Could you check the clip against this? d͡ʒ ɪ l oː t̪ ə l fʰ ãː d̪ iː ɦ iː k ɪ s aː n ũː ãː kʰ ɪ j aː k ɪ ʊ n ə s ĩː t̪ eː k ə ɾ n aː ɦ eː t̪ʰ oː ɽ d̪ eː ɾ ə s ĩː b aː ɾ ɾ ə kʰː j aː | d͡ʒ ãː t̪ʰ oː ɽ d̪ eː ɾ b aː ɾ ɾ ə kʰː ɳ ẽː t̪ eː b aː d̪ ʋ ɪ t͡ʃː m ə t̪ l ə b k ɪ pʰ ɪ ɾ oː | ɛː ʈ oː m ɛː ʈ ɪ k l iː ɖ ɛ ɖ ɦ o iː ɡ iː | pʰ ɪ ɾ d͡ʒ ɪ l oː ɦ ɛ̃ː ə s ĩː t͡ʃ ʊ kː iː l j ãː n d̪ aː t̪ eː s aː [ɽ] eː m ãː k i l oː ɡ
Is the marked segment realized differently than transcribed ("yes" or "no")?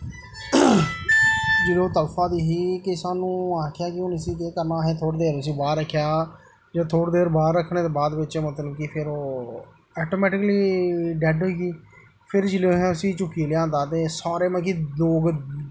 yes